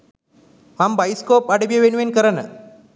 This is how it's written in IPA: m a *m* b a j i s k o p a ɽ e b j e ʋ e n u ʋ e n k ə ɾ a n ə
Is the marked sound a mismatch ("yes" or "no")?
no